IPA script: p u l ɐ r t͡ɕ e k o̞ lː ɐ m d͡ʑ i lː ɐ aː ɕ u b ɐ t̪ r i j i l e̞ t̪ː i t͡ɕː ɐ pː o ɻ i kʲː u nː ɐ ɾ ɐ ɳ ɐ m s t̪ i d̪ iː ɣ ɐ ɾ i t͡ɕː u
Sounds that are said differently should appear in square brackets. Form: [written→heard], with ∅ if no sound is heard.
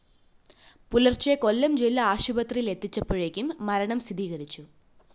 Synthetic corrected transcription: p u l ɐ r t͡ɕ e k o̞ lː ɐ m d͡ʑ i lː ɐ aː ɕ u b ɐ t̪ r i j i l e̞ t̪ː i t͡ɕː ɐ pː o ɻ [i→e] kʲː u [nː→mː] ɐ ɾ ɐ ɳ ɐ m s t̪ i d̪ iː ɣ ɐ ɾ i t͡ɕː u